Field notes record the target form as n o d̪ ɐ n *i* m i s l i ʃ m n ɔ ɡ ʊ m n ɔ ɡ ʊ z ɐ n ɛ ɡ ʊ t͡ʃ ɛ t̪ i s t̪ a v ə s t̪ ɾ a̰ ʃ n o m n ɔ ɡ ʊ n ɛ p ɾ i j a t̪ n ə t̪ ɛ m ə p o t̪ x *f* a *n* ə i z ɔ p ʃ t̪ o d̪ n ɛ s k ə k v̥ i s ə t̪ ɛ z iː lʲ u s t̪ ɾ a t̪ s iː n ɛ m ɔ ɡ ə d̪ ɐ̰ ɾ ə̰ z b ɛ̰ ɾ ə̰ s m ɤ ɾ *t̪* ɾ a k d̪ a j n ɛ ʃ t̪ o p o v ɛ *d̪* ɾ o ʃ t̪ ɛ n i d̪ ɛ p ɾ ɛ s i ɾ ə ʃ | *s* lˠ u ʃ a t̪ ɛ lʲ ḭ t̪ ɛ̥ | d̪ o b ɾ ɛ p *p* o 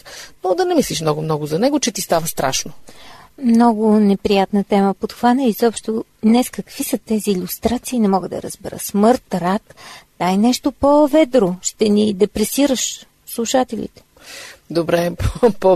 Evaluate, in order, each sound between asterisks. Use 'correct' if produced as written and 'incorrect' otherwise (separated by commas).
incorrect, incorrect, correct, correct, correct, correct, correct